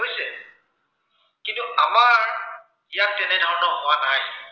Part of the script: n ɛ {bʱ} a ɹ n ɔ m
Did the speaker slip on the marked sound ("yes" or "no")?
yes